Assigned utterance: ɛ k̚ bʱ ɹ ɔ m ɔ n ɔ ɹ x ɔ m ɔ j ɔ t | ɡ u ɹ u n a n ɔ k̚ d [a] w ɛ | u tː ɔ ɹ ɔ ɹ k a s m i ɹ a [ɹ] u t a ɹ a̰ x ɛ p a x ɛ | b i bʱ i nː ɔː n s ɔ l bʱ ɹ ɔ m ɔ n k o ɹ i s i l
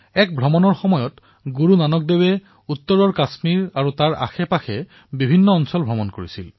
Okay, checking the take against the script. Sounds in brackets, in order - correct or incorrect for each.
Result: incorrect, correct

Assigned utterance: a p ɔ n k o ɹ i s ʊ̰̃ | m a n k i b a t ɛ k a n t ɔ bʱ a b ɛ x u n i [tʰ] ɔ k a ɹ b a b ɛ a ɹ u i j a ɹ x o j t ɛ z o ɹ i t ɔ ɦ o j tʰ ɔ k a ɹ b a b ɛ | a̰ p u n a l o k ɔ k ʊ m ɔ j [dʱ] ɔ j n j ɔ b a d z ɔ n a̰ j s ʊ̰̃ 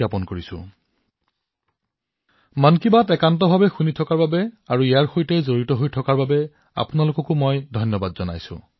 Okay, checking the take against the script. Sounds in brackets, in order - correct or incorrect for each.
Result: correct, correct

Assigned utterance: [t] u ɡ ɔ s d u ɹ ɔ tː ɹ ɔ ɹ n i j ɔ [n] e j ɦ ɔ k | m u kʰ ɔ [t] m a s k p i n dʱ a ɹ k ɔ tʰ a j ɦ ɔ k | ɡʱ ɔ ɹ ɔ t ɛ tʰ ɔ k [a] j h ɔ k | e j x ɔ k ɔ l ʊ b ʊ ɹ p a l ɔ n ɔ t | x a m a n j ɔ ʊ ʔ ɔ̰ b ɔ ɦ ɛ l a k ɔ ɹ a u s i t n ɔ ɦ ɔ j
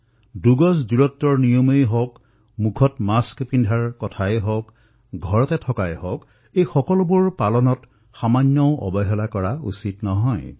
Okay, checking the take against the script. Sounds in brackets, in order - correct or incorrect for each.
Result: incorrect, incorrect, correct, correct

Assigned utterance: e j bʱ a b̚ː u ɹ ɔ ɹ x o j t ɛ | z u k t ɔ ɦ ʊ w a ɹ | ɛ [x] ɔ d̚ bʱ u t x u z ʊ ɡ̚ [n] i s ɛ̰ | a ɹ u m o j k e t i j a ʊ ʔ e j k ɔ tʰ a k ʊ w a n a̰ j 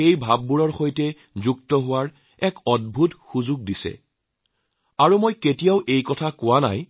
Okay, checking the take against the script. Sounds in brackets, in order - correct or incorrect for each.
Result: incorrect, incorrect

